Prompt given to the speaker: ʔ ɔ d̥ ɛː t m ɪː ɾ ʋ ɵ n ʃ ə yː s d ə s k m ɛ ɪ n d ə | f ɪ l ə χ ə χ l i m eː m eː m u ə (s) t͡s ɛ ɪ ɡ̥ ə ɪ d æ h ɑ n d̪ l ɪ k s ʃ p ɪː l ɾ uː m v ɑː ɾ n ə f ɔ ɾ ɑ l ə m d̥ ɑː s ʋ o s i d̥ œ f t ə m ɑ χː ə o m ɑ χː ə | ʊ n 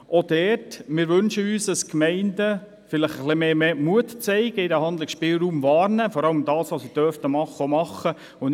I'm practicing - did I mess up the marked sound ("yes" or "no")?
yes